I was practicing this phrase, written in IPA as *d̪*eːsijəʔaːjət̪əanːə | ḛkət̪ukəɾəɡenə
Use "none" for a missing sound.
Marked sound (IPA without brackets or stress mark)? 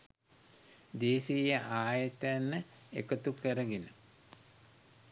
d̪